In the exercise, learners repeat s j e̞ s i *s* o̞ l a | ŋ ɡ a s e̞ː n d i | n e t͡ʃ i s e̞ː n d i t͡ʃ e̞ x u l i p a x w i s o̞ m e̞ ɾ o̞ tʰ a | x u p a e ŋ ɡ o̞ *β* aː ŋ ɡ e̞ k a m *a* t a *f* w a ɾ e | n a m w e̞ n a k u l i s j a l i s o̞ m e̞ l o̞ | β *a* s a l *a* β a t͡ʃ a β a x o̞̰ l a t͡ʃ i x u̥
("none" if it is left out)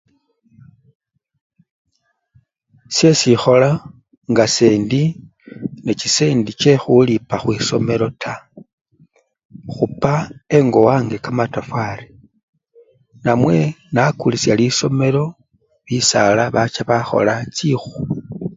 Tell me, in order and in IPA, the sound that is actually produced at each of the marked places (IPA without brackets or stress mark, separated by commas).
x, w, a, f, i, a